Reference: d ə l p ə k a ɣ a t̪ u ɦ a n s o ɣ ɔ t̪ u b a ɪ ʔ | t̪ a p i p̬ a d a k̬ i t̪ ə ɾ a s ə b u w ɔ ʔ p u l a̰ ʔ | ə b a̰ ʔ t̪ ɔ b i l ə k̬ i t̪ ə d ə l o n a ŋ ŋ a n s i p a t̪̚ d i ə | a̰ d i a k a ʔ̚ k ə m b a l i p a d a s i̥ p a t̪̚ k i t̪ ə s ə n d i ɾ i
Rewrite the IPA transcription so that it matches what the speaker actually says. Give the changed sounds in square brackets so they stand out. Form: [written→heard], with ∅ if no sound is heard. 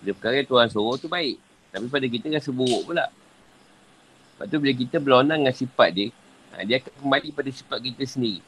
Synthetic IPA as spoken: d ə [l→∅] p ə k a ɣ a t̪ u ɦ a n s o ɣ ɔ t̪ u b a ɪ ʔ | t̪ a p i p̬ a d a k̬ i t̪ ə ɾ a s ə b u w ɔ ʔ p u l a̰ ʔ | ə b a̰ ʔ t̪ [ɔ→u] b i l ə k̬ i t̪ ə [d→b] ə l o n a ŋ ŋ a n s i p a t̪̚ d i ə | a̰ d i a k a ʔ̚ k ə m b a l i p a d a s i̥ p a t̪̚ k i t̪ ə s ə n d i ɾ i